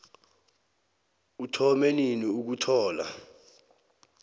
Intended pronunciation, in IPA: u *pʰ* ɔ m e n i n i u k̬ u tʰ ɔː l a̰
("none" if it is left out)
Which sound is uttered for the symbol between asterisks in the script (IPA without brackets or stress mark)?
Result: tʰ